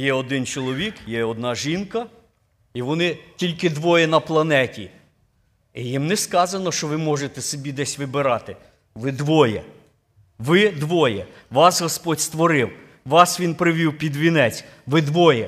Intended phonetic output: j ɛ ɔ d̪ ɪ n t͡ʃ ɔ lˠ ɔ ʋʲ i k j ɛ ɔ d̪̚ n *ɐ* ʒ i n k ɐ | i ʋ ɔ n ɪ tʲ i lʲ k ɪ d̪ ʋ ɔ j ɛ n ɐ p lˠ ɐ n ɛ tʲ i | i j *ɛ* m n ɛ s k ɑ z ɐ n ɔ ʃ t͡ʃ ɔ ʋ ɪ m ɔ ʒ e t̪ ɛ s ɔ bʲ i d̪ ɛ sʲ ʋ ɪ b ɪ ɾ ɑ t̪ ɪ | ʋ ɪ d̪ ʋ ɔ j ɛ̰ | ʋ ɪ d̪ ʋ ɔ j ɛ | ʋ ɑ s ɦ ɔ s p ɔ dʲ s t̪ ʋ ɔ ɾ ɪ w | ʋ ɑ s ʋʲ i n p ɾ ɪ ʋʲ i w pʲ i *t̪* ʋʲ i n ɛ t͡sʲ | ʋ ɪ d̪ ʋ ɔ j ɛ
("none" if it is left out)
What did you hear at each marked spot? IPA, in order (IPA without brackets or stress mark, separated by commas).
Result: ɑ, i, d̪